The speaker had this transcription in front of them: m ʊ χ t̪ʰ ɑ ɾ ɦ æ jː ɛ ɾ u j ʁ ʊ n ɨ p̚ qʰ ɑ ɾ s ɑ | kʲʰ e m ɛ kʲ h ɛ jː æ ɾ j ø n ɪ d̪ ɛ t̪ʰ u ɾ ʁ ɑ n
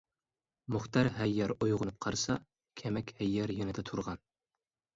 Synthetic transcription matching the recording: m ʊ χ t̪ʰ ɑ ɾ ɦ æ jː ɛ ɾ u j ʁ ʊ n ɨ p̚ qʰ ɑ ɾ s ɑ | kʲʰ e m ɛ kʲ h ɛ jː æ ɾ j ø n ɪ d̪ ɛ t̪ʰ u ɾ ʁ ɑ n